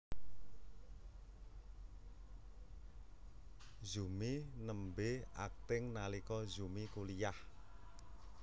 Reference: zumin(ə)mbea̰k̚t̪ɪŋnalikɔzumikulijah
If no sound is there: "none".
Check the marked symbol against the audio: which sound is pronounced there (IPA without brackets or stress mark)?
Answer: ə